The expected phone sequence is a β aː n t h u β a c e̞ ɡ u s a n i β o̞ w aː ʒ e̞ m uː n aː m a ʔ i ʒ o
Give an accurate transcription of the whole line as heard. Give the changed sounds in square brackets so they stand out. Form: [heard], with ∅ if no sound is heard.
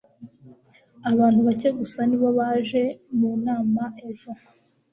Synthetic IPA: a β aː n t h u β a c e̞ ɡ u s a n i β o̞ [β] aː ʒ e̞ m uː n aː m a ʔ [e] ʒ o